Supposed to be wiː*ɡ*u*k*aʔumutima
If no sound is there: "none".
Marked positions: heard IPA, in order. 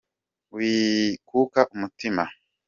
k, k

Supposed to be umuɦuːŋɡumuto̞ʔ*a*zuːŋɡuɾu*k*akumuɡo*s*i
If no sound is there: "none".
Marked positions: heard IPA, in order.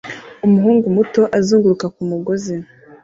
a, k, z

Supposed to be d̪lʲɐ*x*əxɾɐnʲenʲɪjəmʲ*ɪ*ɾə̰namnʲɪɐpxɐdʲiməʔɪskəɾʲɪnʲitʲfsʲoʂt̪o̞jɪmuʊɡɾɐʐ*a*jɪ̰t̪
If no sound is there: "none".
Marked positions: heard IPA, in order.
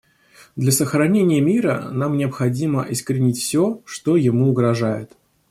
s, i, a

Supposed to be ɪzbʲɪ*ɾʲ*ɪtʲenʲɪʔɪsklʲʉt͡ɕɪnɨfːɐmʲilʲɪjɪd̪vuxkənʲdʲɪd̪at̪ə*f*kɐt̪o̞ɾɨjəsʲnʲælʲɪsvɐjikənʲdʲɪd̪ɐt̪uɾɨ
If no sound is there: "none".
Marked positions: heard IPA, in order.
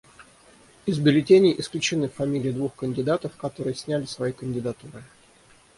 lʲ, f

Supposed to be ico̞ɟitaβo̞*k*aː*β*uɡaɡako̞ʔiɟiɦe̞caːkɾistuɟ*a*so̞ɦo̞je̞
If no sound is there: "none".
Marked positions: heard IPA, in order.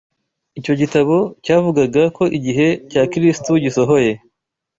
c, v, i

